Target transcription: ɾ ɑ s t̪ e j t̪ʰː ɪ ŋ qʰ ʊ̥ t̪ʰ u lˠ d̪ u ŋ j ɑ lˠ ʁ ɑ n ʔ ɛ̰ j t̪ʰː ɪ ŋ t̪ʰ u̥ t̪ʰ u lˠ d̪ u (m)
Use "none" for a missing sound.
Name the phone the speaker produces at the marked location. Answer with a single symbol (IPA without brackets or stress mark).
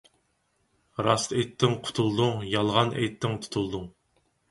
ŋ